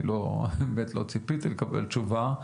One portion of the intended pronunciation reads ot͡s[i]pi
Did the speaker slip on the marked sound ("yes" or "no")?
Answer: no